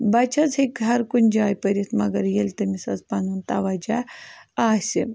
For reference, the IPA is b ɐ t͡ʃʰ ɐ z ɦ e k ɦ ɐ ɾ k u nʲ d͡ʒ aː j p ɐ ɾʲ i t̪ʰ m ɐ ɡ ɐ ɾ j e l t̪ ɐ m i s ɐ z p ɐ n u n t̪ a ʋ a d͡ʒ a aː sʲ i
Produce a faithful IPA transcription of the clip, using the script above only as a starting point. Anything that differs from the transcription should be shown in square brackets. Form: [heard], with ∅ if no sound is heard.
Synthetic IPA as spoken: b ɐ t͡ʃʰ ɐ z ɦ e k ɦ ɐ ɾ k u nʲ d͡ʒ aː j p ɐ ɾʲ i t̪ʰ m ɐ ɡ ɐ ɾ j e l t̪ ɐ m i s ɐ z p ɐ n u n t̪ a ʋ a d͡ʒ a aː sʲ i